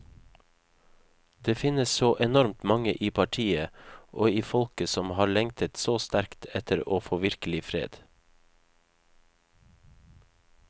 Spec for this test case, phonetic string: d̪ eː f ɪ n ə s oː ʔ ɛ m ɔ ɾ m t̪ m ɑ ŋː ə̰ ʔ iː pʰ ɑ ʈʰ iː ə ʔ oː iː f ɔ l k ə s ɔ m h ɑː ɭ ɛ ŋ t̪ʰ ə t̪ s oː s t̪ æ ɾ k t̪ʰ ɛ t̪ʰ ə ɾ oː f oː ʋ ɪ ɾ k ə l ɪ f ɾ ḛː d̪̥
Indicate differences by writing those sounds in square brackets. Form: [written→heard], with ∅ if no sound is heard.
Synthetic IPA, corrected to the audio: d̪ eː f ɪ n ə s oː ʔ ɛ [m→n] ɔ ɾ m t̪ m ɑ [ŋː→ŋ] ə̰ ʔ iː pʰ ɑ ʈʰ iː ə ʔ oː iː f ɔ l k ə s ɔ m h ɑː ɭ ɛ ŋ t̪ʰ ə t̪ s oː s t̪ æ ɾ k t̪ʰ ɛ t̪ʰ ə ɾ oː f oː ʋ ɪ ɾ k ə l ɪ f ɾ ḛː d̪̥